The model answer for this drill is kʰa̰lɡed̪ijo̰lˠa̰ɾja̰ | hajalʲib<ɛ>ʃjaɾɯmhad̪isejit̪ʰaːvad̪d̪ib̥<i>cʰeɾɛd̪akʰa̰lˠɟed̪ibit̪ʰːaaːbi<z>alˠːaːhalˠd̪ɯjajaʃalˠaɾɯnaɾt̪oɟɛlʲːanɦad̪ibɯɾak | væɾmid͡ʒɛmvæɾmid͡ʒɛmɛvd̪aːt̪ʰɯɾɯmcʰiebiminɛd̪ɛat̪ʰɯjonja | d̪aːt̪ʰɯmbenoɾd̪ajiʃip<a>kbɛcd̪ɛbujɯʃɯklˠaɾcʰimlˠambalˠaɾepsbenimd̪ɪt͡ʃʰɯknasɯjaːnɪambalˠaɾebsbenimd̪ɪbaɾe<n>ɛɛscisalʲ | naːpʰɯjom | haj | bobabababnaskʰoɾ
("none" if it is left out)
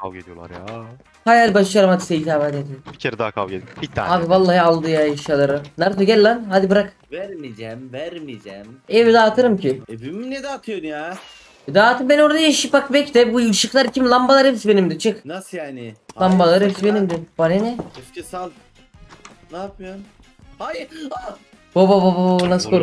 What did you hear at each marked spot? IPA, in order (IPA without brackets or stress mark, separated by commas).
a, i, v, a, n